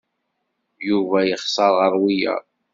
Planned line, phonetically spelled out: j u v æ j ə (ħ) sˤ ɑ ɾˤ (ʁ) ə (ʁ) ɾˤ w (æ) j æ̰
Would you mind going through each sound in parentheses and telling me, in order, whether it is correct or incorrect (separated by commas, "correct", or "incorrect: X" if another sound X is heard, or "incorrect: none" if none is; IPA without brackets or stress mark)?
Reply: incorrect: χ, correct, incorrect: none, incorrect: i